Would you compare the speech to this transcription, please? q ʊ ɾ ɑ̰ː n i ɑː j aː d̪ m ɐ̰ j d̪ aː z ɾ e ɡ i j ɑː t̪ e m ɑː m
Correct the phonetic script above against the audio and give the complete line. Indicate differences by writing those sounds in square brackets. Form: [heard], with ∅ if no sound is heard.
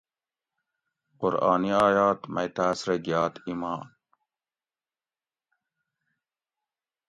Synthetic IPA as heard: q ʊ ɾ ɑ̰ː n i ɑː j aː [t̪] m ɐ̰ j [t̪] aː [s] ɾ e ɡ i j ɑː t̪ [i] m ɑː [n]